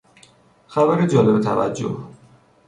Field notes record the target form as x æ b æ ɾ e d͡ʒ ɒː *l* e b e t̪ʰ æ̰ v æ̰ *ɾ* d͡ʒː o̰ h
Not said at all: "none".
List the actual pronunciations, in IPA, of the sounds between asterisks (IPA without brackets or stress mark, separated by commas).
l, none